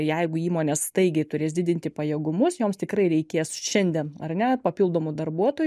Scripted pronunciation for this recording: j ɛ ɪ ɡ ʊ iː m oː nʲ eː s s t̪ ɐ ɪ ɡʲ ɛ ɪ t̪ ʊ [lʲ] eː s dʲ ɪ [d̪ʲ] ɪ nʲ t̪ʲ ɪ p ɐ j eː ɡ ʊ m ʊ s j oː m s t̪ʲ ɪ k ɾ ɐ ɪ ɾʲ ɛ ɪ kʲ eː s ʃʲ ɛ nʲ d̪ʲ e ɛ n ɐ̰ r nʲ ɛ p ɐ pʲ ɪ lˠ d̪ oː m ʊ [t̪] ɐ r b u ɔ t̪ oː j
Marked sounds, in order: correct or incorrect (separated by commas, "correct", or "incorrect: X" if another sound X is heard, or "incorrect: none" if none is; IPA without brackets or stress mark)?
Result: incorrect: ɾʲ, correct, incorrect: d̪